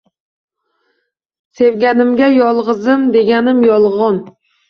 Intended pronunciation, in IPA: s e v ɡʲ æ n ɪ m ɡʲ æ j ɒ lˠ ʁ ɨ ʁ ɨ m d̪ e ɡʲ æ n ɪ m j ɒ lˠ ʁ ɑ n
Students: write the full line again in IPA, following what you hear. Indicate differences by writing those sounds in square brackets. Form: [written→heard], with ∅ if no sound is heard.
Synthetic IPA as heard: s e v ɡʲ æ n ɪ m ɡʲ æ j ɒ lˠ ʁ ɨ [ʁ→z] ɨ m d̪ e ɡʲ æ n ɪ m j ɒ lˠ ʁ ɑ n